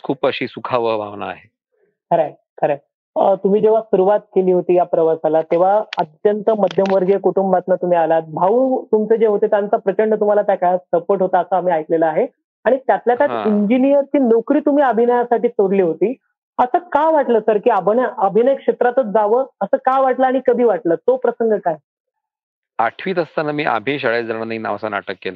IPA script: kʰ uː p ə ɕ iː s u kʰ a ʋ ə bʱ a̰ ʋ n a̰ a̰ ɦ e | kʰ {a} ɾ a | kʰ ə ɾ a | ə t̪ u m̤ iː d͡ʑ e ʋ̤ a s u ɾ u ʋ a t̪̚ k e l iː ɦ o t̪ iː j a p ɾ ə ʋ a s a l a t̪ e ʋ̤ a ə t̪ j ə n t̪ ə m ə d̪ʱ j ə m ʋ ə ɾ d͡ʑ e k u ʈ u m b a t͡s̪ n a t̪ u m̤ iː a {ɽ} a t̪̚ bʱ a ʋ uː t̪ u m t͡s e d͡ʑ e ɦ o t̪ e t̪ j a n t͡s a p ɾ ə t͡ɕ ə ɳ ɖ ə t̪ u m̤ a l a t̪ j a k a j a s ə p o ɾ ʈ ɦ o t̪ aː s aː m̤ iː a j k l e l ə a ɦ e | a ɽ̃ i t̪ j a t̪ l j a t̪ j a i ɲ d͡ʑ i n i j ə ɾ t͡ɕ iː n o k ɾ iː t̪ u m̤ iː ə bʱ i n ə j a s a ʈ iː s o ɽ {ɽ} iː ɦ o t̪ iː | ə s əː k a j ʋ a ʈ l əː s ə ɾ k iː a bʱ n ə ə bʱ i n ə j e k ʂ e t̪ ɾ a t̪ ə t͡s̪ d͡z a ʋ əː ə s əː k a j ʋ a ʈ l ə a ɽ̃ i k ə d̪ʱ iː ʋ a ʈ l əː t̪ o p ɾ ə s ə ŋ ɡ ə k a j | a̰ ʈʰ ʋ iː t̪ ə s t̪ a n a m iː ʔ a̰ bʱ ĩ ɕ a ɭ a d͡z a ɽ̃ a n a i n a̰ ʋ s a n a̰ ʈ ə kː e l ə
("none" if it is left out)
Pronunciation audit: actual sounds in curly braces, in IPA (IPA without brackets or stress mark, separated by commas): ə, l, l